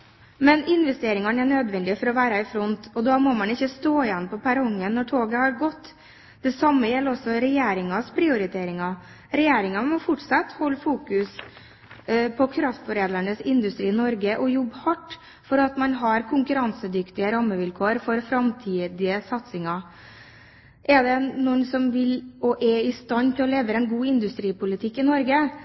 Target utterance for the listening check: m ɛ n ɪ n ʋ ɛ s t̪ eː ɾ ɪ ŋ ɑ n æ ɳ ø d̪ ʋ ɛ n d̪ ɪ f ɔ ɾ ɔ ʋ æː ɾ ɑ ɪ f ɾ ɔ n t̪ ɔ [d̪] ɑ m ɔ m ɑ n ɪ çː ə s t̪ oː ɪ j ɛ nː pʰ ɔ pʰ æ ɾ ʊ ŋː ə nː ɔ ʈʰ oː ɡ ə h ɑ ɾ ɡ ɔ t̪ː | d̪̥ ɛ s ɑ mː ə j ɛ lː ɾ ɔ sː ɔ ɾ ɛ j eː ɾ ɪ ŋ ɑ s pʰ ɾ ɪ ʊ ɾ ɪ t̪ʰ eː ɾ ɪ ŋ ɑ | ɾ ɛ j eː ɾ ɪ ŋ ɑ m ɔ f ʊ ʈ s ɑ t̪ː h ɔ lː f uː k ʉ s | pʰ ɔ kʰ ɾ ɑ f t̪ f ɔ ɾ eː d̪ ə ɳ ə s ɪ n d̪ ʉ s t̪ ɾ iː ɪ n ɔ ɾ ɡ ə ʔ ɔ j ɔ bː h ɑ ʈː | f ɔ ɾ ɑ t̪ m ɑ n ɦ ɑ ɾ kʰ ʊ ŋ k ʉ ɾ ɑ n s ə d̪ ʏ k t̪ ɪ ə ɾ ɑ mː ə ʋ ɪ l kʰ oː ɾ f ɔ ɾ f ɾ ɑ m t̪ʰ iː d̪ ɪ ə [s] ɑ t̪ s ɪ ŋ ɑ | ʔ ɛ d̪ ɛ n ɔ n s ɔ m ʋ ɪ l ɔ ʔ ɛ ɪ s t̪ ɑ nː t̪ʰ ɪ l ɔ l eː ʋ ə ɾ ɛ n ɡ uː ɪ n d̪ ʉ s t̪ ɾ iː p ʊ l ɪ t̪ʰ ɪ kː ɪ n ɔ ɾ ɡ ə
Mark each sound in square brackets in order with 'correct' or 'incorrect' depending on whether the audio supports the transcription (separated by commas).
correct, correct